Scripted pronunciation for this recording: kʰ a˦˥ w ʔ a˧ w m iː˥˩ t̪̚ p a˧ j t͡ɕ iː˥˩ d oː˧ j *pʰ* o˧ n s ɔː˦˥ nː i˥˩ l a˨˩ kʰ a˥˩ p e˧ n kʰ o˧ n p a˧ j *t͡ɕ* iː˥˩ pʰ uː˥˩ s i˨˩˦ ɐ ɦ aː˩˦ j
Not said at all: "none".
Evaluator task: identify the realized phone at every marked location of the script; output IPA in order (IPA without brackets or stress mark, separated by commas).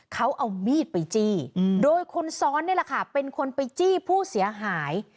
kʰ, t͡ɕ